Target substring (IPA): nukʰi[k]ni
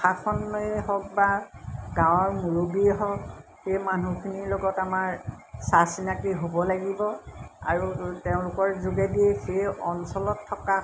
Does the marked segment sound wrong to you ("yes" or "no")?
yes